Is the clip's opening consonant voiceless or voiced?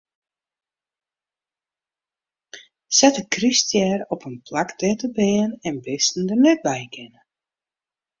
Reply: voiceless